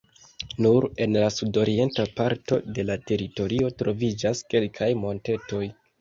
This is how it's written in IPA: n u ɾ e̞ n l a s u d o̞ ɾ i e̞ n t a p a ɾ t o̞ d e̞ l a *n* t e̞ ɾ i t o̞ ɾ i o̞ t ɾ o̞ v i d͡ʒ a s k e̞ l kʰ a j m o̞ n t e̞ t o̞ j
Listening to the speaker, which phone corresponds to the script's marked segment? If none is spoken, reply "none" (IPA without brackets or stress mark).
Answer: none